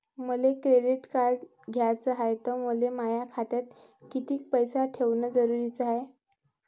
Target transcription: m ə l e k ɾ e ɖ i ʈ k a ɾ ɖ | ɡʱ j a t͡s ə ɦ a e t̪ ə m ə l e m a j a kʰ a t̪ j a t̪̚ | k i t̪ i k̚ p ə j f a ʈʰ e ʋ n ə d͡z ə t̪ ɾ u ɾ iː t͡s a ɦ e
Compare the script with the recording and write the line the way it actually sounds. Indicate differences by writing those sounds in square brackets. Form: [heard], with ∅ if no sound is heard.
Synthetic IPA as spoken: m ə l e k ɾ e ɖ i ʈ k a ɾ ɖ | ɡʱ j a t͡s ə ɦ a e t̪ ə m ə l e m a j a kʰ a t̪ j a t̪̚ | k i t̪ [iː] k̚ p ə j [s] a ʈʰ e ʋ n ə d͡z ə [∅] ɾ u ɾ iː t͡s a ɦ e